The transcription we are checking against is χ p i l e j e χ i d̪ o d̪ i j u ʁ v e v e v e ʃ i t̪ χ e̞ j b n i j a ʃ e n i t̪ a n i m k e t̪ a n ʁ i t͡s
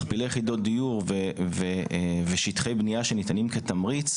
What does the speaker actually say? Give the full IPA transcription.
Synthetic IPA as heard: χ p i l e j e χ i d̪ o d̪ i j u ʁ v e v e v e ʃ i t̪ χ e̞ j b n i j a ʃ e n i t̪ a n i m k e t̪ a m ʁ i t͡s